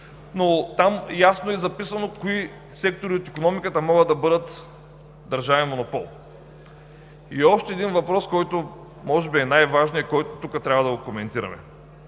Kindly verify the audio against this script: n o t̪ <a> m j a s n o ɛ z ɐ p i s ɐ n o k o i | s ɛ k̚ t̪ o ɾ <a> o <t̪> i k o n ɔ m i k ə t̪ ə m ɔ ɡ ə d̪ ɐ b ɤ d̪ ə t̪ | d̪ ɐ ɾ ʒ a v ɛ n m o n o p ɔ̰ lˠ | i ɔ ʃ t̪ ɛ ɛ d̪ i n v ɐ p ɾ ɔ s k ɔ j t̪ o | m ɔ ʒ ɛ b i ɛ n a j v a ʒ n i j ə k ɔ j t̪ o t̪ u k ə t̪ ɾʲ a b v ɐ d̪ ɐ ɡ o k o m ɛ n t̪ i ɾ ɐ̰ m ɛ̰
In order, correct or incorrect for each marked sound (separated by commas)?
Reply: correct, incorrect, correct